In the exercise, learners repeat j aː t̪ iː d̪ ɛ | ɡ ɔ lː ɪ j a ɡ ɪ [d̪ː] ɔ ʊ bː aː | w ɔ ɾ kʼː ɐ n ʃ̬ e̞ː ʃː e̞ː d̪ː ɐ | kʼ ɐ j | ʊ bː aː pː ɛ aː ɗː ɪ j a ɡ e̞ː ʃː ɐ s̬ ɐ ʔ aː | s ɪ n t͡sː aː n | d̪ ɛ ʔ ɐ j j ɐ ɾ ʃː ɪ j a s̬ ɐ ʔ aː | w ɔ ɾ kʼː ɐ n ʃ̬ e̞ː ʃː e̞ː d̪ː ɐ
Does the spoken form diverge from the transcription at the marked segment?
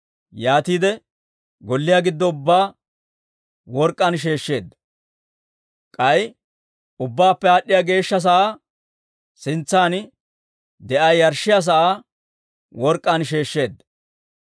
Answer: no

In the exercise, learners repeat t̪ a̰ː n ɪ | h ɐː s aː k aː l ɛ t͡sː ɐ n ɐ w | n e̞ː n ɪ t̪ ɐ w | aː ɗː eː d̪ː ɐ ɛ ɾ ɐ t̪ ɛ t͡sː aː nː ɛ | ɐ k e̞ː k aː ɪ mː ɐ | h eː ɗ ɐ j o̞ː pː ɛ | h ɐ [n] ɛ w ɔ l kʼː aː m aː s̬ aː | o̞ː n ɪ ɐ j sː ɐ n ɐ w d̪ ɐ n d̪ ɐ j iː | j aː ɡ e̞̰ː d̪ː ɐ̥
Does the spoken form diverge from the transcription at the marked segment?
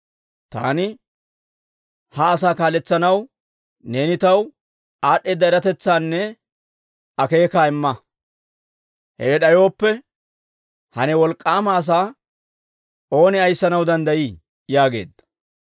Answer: no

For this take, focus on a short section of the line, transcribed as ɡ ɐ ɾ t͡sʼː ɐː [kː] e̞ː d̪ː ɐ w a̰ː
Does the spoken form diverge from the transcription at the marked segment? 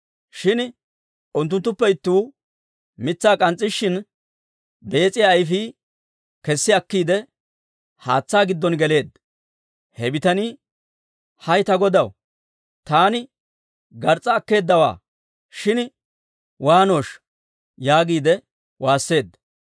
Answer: no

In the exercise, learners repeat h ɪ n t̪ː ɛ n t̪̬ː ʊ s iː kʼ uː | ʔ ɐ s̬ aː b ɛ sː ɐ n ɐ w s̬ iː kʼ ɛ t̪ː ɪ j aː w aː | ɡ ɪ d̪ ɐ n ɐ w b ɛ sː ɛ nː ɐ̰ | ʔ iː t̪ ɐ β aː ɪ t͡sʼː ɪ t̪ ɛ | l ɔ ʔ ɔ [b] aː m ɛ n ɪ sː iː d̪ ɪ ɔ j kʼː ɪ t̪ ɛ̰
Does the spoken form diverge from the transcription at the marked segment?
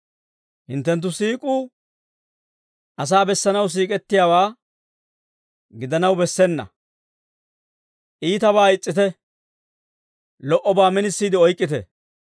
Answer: no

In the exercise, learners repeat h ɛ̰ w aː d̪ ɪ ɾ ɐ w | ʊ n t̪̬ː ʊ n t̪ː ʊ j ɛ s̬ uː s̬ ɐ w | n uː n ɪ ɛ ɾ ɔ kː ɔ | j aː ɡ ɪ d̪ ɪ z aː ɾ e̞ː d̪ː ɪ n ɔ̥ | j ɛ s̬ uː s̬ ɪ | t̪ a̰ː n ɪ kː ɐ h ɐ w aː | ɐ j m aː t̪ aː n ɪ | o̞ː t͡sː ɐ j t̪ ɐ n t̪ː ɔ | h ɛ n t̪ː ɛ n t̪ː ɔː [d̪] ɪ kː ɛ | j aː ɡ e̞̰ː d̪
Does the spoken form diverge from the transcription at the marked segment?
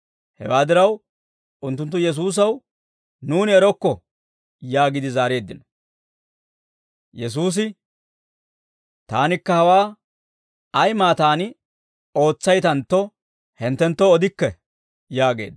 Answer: no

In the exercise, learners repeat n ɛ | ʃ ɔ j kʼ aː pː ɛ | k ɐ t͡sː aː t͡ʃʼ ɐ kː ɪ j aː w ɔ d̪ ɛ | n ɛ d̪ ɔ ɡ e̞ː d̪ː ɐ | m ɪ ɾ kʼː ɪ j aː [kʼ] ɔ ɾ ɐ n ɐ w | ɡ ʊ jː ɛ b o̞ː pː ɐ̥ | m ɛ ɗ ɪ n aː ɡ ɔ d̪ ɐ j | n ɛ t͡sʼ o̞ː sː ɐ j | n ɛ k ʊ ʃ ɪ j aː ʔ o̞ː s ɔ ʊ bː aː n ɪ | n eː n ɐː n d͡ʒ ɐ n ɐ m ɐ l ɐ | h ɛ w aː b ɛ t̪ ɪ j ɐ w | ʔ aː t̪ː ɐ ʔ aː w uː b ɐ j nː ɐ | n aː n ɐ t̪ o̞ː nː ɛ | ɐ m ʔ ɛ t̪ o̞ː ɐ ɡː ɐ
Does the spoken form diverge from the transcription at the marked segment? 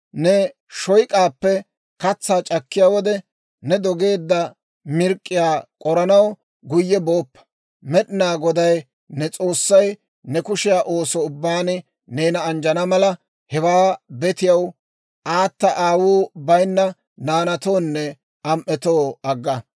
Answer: no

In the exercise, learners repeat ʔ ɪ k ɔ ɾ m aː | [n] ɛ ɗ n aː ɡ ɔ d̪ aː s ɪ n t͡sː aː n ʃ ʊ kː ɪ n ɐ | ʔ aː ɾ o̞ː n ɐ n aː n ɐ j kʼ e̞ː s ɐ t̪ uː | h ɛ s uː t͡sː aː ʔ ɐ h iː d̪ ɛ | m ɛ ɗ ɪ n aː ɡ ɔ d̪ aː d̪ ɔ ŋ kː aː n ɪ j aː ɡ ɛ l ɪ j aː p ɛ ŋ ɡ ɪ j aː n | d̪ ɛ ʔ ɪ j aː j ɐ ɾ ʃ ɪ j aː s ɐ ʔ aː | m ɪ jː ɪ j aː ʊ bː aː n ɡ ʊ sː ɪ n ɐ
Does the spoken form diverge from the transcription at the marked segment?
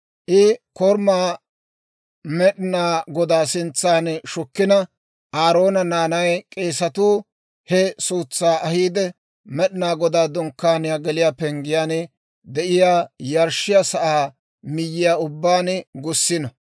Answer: yes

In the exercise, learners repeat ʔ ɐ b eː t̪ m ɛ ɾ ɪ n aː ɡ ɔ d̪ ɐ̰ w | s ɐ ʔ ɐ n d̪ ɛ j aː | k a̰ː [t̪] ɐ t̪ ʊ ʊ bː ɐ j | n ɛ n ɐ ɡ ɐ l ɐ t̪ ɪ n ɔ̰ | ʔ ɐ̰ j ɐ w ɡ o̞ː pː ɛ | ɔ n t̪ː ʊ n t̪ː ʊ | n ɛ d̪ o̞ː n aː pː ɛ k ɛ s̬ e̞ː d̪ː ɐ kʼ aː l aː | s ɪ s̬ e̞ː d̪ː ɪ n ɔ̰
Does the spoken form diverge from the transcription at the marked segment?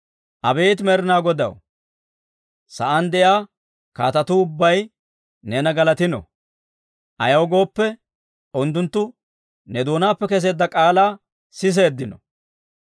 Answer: no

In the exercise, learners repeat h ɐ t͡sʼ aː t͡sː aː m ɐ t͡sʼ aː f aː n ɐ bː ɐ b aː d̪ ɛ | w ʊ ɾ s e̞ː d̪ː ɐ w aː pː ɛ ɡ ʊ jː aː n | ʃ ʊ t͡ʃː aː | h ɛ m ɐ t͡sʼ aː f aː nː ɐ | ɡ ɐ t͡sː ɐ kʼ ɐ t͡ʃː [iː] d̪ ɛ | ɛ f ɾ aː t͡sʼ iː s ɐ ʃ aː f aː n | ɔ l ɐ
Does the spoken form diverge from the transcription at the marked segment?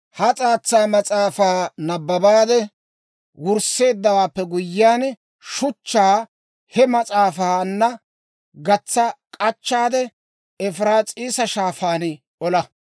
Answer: yes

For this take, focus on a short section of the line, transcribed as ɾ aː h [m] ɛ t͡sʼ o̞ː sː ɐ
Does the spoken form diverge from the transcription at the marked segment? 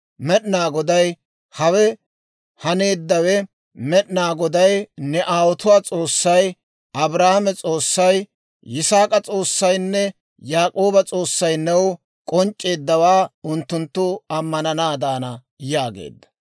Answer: no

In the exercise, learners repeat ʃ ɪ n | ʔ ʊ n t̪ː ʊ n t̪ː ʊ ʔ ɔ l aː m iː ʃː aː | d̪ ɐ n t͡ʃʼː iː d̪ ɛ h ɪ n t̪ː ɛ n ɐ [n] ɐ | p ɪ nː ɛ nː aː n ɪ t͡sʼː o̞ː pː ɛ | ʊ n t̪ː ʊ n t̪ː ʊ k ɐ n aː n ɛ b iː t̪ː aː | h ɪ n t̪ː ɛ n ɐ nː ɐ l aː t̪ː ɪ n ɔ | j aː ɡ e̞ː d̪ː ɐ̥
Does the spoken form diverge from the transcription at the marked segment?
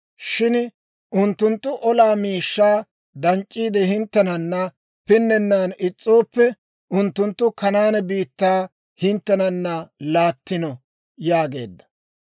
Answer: yes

